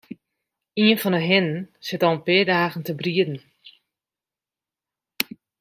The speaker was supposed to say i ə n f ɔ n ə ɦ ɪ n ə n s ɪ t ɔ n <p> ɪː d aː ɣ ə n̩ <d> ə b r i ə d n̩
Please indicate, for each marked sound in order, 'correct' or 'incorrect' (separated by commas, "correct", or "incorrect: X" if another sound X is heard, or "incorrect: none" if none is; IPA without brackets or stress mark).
correct, incorrect: t